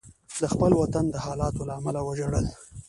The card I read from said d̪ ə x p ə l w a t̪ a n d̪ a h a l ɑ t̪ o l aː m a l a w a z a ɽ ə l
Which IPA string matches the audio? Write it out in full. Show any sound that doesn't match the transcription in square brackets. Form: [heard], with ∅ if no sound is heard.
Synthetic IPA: d̪ ə x p ə l w a t̪ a n d̪ [ə] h [ɑ] l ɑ t̪ o l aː m a l a w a [ʒ] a ɽ ə l